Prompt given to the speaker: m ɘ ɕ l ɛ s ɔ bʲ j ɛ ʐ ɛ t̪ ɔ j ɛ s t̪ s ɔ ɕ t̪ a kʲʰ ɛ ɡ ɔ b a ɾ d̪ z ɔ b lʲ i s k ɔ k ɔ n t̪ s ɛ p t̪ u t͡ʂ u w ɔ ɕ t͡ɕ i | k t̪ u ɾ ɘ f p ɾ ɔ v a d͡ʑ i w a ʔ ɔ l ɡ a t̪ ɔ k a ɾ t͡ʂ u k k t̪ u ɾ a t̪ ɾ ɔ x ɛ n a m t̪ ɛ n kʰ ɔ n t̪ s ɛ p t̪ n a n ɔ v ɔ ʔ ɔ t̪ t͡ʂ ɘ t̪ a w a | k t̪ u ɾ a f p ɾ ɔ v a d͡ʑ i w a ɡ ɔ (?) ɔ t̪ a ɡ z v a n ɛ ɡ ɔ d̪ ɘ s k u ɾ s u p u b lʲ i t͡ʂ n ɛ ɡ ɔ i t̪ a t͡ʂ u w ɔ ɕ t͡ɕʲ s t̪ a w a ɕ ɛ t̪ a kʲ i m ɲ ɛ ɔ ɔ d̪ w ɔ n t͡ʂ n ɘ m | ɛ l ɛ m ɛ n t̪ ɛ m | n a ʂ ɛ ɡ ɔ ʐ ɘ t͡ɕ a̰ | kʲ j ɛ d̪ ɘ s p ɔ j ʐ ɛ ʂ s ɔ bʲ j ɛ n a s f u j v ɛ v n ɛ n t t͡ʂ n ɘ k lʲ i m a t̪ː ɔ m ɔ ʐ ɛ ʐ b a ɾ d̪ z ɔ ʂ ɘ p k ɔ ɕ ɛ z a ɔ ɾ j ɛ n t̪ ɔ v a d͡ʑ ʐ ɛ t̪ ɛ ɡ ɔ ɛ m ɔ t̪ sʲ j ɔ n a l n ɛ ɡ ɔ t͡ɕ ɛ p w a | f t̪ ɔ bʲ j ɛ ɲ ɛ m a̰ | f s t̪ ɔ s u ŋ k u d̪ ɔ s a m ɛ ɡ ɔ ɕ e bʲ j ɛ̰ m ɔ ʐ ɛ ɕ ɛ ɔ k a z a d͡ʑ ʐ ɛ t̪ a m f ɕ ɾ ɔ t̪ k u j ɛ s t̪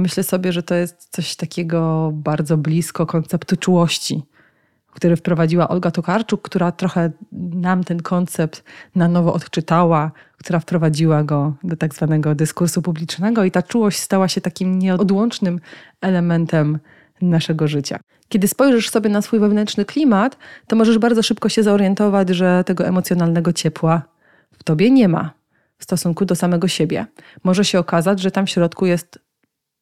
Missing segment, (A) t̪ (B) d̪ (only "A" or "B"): B